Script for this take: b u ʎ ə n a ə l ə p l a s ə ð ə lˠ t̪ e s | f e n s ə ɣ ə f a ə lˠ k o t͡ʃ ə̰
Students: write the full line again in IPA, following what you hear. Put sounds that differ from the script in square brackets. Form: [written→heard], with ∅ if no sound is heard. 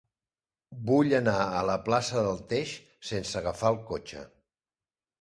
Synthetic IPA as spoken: b u ʎ ə n a ə l ə p l a s ə ð ə lˠ t̪ e [s→ʃ] | [f→s] e n s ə ɣ ə f a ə lˠ k o t͡ʃ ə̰